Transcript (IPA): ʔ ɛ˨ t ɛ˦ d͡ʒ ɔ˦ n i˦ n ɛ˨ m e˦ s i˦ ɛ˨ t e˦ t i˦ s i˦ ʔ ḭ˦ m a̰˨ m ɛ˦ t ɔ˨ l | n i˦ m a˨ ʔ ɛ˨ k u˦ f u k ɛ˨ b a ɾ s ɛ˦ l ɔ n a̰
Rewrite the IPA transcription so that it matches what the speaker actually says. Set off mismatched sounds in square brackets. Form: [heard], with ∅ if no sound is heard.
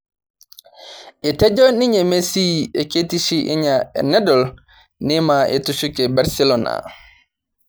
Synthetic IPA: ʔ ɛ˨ t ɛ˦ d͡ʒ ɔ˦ n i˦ [ɲ] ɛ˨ m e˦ s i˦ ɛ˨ [k] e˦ t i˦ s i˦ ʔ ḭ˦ [ɲ] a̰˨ [n] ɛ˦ [d] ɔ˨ l | n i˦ m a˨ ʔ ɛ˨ [t] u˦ [s] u k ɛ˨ b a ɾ s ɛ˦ l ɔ n a̰

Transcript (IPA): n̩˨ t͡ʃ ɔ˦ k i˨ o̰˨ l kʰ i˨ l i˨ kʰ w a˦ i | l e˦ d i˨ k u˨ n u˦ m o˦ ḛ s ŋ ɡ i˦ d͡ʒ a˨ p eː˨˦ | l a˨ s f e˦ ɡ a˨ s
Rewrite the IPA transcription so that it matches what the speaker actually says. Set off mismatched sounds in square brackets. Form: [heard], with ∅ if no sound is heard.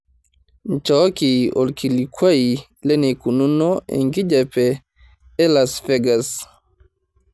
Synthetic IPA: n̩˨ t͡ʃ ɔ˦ k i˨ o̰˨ l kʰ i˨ l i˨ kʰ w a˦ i | l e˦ [n] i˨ k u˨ n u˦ [n] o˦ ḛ [∅] ŋ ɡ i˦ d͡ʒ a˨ p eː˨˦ | l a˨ s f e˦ ɡ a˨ s

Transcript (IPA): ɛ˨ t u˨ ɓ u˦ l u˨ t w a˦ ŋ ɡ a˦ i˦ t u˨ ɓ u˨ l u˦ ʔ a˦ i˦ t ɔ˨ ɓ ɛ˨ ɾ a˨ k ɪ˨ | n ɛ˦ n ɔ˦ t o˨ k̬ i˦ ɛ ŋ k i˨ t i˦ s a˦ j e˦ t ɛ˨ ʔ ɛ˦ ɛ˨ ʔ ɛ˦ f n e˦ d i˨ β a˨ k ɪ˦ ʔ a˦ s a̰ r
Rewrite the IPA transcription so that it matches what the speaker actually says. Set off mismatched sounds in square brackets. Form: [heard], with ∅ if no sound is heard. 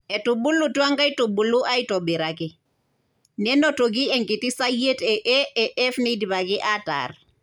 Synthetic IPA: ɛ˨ t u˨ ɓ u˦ l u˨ t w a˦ ŋ ɡ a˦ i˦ t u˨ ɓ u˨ l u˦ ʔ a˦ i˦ t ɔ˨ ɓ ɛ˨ ɾ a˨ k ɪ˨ | n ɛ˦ n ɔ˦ t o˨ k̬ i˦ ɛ ŋ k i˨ t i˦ s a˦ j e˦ t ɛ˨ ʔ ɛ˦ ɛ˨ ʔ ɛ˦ f n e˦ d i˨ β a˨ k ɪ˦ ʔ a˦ [t] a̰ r

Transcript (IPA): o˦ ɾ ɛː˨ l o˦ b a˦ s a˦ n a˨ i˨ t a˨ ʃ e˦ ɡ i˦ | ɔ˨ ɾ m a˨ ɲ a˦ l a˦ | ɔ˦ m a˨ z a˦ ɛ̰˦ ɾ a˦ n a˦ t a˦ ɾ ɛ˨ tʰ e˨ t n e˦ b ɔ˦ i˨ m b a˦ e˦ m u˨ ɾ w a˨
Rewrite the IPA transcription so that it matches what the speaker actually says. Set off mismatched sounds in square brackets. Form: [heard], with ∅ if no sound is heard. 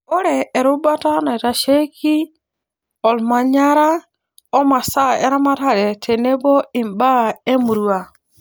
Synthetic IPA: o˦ ɾ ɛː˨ [ɾ] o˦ b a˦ [t] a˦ n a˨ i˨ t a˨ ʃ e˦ [k] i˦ | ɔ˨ [l] m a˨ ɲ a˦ [ɾ] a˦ | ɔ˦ m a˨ [s] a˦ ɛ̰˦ ɾ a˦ [m] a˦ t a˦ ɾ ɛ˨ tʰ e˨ [∅] n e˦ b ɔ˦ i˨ m b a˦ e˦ m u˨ ɾ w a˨

